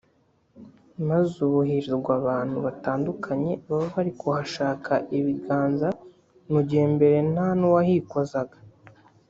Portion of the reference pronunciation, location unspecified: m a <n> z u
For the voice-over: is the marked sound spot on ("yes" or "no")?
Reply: no